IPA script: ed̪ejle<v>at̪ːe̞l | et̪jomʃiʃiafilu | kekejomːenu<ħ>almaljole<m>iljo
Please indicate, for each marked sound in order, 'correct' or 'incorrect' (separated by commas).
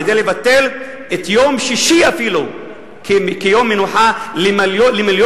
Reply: correct, correct, correct